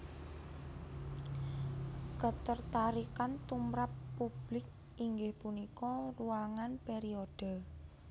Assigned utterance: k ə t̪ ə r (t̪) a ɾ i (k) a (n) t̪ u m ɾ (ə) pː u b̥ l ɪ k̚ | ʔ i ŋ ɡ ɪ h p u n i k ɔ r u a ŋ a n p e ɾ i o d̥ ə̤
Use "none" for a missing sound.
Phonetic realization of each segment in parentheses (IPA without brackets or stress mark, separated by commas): t̪, k, n, a